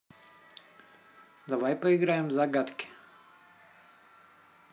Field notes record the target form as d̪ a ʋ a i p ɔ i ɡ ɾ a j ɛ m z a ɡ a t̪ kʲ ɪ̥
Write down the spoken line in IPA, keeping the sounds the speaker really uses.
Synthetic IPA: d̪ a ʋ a j p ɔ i ɡ ɾ a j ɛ m z a ɡ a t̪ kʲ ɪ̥